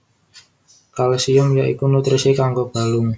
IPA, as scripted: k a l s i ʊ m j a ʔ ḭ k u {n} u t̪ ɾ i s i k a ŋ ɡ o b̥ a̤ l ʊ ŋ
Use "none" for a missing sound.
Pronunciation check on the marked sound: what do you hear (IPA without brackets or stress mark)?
n